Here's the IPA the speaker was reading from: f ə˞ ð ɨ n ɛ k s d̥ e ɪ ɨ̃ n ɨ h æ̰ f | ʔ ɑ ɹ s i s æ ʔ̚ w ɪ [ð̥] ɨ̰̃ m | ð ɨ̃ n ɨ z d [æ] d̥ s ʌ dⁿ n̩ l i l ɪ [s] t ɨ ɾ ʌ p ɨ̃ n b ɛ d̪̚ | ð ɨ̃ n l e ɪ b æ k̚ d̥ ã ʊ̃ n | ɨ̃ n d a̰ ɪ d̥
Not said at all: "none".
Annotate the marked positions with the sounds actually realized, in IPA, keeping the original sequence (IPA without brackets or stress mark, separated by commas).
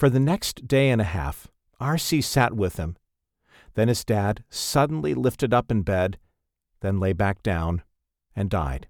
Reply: ð̥, æ, f